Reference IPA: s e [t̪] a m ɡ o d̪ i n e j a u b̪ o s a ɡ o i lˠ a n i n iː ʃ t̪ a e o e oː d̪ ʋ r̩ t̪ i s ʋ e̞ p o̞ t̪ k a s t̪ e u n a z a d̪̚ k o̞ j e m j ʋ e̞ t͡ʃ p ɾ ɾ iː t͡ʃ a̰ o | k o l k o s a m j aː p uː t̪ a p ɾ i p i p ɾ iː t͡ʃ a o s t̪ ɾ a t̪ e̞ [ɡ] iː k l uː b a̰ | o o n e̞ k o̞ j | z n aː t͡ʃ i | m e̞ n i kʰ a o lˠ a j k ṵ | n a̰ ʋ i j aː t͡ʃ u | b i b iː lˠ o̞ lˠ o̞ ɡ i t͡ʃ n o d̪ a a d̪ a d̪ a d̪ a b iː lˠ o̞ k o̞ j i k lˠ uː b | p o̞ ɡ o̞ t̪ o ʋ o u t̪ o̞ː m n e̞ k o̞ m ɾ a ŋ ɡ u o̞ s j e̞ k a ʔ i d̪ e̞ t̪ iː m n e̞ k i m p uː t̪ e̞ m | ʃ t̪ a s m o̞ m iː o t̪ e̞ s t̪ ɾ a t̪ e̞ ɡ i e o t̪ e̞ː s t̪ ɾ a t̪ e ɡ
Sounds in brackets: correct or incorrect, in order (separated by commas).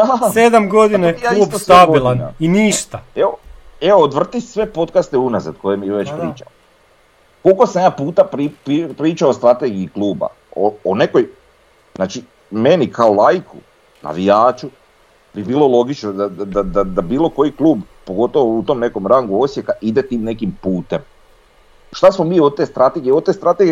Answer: incorrect, correct